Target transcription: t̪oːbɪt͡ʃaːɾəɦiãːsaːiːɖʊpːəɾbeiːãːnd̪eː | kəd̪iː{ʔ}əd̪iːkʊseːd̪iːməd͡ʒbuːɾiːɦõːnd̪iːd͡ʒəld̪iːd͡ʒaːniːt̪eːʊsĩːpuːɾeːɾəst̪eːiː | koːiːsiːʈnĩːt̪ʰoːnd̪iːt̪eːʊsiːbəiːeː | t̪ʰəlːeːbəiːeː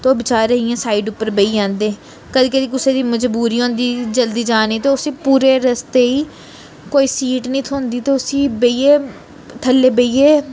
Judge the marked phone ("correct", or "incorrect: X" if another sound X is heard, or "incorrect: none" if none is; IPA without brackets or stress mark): incorrect: k